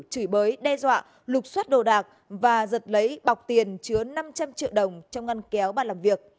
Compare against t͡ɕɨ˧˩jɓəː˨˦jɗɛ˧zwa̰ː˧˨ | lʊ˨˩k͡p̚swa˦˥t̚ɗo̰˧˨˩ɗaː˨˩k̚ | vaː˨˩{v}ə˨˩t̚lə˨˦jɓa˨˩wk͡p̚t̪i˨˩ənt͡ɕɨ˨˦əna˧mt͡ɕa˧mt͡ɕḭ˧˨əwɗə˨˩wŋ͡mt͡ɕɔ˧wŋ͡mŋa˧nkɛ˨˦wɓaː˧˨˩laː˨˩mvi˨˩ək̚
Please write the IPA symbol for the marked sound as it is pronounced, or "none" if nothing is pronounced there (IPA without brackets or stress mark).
z